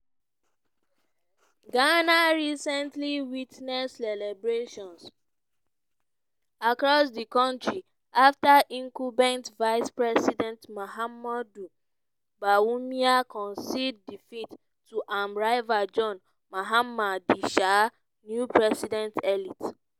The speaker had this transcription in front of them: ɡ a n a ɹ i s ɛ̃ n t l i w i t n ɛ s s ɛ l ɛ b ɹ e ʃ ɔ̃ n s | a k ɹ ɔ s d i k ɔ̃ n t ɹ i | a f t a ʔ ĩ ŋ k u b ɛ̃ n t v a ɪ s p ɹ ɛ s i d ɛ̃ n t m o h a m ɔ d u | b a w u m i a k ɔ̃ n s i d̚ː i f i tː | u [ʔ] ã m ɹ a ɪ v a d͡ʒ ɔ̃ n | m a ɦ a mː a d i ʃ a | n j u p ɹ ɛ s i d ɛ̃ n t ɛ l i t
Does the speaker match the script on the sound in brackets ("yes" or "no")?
yes